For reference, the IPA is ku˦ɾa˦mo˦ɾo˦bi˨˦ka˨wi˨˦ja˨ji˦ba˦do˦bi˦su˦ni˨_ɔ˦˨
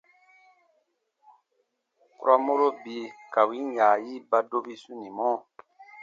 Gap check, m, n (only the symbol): m